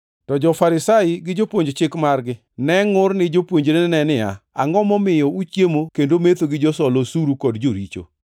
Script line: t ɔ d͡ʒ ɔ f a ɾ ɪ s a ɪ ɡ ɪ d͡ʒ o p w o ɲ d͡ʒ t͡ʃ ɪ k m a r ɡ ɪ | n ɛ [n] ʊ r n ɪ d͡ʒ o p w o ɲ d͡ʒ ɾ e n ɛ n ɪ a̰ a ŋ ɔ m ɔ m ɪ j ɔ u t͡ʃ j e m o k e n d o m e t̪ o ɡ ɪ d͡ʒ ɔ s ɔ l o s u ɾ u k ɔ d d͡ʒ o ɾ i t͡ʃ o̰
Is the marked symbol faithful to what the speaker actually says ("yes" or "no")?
no